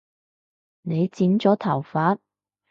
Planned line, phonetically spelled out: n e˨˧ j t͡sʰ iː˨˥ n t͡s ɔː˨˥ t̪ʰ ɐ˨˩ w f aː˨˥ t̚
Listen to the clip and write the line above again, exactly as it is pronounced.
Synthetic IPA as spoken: n e˨˧ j t͡s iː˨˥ n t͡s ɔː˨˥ t̪ʰ ɐ˨˩ w f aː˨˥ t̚